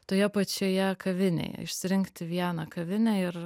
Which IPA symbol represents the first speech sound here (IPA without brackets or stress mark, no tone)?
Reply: t̪